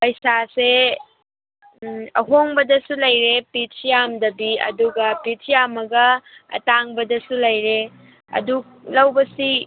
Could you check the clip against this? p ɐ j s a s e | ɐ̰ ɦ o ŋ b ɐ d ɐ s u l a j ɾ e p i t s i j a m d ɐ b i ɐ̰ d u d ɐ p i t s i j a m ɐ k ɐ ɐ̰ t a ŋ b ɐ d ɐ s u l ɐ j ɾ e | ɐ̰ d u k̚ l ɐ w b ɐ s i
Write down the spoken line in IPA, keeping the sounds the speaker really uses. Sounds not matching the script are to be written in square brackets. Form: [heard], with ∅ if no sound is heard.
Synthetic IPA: p ɐ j s a s e | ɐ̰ ɦ o ŋ b ɐ d ɐ s u l [ɐ] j ɾ e p i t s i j a m d ɐ b i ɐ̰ d u [ɡ] ɐ p i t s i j a m ɐ [ɡ] ɐ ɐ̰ t a ŋ b ɐ d ɐ s u l ɐ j ɾ e | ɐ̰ d u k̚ l ɐ w b ɐ s i